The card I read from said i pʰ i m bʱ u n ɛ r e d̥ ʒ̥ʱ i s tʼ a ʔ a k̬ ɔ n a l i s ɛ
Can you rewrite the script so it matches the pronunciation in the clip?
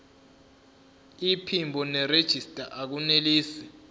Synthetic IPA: i pʰ i m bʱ ɔ n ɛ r e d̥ ʒ̥ʱ i s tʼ a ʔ a k̬ u n e l iː s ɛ

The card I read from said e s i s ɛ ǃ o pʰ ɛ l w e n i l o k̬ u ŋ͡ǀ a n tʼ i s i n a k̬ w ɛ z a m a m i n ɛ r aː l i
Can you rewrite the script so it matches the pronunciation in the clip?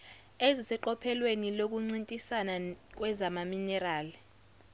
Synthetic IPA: e z i s ɛ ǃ ɔ pʰ ɛ l w e n i l o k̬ u ŋ͡ǀ i n tʼ i s a n a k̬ w ɛ z a m a m i n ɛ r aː l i

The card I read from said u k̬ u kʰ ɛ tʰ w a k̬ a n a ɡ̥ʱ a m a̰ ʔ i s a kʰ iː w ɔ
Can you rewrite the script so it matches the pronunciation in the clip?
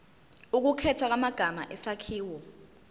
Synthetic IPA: u k̬ u kʰ ɛ tʰ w a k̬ a m a ɡ̥ʱ a m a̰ ʔ ɛ s a kʰ iː w ɔ

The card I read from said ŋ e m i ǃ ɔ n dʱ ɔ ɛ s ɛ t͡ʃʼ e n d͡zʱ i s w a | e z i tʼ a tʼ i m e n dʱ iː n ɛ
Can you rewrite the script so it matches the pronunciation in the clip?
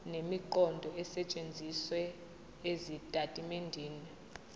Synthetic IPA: n e m i ǃ ɔ n dʱ ɔ ɛ s ɛ t͡ʃʼ e n d͡zʱ i s w ɛ | e z i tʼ a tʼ i m e n dʱ iː n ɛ

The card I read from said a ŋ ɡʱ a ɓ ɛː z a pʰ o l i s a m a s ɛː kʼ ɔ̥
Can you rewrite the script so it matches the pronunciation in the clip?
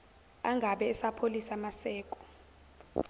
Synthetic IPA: a ŋ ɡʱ a ɓ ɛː s a pʰ o l i s a m a s ɛː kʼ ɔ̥

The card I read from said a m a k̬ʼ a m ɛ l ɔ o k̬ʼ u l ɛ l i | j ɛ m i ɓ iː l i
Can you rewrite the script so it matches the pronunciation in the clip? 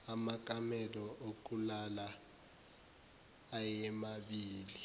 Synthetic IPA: a m a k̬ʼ a m ɛ l ɔ o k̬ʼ u l a l a | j ɛ m a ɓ iː l i

